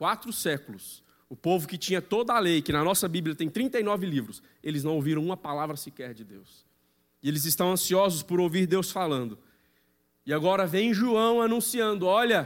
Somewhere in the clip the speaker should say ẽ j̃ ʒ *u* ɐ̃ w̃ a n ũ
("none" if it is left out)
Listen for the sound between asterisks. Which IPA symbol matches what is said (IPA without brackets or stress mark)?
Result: u